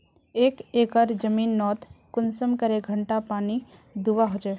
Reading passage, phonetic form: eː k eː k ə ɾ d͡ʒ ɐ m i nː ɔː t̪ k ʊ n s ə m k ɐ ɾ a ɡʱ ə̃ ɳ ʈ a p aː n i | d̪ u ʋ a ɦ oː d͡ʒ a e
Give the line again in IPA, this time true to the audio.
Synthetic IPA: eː k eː k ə ɾ d͡ʒ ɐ m iː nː ɔː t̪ k ʊ n s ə m k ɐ ɾ e ɡʱ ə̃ ɳ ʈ a p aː n i | d̪ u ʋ a ɦ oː d͡ʒ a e